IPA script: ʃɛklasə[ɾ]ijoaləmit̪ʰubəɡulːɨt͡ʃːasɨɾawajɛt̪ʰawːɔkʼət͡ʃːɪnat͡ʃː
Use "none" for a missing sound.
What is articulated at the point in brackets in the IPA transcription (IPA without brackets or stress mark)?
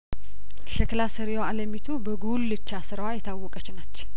ɾ